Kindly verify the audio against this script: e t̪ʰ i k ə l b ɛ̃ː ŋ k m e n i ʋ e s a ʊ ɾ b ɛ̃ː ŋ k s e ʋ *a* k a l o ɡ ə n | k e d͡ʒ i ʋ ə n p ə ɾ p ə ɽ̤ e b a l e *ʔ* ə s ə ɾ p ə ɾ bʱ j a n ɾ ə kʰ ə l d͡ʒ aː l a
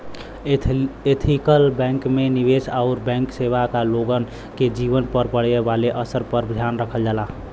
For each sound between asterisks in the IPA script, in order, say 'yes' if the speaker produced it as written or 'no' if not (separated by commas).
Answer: yes, yes